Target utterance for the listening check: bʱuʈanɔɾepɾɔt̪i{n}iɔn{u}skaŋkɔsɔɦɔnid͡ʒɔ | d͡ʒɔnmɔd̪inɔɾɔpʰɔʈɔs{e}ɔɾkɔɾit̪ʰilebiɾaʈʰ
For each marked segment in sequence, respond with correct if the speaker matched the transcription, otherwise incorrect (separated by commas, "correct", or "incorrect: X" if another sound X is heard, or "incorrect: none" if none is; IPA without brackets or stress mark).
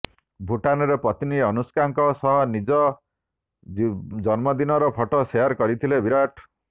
correct, correct, correct